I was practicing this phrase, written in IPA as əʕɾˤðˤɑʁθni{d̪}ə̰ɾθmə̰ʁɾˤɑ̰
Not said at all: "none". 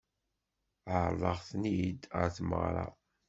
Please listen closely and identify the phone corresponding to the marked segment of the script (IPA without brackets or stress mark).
d̪